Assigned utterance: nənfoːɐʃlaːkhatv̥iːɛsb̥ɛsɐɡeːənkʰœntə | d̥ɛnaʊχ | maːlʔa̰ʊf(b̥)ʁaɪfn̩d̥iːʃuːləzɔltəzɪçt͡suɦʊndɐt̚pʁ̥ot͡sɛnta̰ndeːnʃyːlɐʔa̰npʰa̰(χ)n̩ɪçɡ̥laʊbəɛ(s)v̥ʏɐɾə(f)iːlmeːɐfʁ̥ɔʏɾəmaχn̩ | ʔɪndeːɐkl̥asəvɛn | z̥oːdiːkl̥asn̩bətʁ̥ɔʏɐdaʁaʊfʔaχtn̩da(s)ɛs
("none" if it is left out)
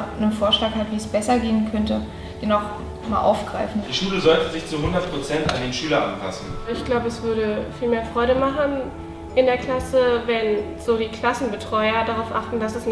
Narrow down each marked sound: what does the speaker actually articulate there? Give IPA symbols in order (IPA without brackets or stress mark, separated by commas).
ɡ̥, s, s, f, s